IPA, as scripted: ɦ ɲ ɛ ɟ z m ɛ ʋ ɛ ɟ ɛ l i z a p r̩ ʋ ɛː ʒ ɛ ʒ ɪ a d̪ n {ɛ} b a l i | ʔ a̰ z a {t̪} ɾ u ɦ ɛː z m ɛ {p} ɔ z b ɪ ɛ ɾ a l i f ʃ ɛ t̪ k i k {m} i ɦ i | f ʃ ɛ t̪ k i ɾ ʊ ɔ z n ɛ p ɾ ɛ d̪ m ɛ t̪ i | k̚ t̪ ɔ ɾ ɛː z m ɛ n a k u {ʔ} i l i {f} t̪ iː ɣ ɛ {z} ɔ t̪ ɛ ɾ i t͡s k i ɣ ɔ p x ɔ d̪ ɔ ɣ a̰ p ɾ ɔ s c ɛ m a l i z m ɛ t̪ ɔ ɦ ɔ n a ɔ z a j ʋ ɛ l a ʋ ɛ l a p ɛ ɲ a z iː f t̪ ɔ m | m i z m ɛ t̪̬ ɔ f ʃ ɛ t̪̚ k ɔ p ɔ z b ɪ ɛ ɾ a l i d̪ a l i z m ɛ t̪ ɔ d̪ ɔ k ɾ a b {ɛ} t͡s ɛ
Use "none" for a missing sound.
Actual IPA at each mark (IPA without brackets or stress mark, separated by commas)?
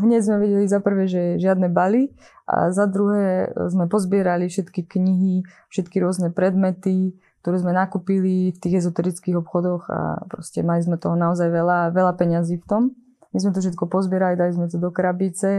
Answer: ɛ, d̪, p, ɲ, p, f, z, i